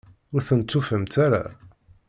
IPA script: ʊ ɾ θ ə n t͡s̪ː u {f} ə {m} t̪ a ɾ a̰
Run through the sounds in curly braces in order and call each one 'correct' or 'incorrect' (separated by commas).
correct, correct